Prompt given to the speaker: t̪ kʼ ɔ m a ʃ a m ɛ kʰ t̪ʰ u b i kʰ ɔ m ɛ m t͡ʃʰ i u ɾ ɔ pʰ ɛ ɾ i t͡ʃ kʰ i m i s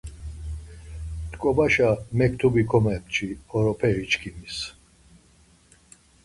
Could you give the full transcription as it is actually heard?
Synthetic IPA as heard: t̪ kʼ ɔ b a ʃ a m ɛ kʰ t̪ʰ u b i kʰ ɔ m ɛ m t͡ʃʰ i ɔ ɾ ɔ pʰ ɛ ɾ i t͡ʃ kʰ i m i s